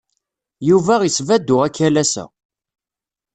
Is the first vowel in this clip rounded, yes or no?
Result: yes